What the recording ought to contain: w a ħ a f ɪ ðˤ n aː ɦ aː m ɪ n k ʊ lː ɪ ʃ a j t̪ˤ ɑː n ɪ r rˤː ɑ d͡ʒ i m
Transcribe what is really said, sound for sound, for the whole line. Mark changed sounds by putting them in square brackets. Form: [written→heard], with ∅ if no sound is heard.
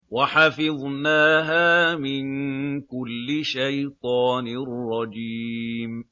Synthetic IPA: w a ħ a f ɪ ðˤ n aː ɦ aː m ɪ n k ʊ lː ɪ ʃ a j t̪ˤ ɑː n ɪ r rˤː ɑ d͡ʒ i m